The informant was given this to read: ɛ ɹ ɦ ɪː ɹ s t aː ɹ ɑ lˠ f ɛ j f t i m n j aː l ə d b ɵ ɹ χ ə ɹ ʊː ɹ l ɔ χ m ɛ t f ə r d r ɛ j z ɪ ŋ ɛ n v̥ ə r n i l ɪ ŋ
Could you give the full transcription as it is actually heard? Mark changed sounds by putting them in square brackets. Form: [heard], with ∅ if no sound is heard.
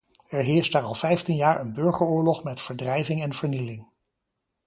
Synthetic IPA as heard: ɛ ɹ ɦ ɪː ɹ s t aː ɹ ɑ lˠ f ɛ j f t i [∅] n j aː [ɹ] ə [n] b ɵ ɹ χ ə ɹ ʊː ɹ l ɔ χ m ɛ t f ə [ɹ] d r ɛ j [v] ɪ ŋ ɛ n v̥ ə [ɹ] n i l ɪ ŋ